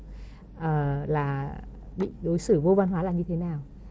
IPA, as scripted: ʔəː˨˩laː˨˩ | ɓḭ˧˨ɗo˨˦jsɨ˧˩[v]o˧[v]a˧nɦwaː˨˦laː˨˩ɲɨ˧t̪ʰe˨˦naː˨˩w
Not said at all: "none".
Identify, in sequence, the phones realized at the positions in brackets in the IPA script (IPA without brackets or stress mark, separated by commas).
v, v